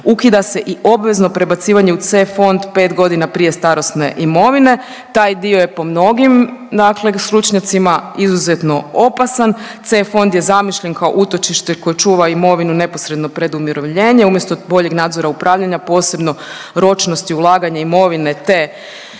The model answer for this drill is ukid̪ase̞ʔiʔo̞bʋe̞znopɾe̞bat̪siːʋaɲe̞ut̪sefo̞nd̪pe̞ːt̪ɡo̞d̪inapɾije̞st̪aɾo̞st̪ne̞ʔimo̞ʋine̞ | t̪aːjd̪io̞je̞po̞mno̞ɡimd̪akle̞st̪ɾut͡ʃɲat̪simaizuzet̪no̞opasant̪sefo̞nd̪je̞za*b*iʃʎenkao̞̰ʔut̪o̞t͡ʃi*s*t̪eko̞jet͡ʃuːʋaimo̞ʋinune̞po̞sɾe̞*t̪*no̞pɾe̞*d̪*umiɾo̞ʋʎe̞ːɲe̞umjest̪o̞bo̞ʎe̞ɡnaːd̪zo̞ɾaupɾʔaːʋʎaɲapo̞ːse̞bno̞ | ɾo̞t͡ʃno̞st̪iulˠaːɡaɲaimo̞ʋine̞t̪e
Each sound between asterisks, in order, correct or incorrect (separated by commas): incorrect, incorrect, incorrect, correct